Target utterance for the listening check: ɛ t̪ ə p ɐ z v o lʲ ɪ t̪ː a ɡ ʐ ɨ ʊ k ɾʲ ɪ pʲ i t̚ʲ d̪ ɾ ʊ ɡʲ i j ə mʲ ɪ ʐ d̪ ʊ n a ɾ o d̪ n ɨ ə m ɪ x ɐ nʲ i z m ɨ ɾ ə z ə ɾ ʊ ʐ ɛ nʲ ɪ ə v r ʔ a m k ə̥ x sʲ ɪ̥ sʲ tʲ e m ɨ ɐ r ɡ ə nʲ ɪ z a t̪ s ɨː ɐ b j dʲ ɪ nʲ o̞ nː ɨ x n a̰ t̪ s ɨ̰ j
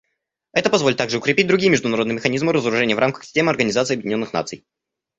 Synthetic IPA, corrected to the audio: ɛ t̪ ə p ɐ z v o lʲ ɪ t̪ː a ɡ ʐ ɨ ʊ k ɾʲ ɪ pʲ i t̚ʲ d̪ ɾ ʊ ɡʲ i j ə mʲ ɪ ʐ d̪ ʊ n ɐ ɾ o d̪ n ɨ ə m ɪ x ɐ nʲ i z m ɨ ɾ ə z ə ɾ ʊ ʐ ɛ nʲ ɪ ə v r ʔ a m k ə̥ x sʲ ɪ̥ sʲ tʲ e m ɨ ɐ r ɡ ə nʲ ɪ z a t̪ s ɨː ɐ b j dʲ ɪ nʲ o̞ nː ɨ x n a̰ t̪ s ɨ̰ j